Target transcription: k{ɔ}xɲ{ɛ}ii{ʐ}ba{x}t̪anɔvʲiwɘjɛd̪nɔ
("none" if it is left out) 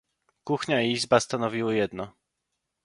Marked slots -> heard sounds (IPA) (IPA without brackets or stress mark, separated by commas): u, a, z, s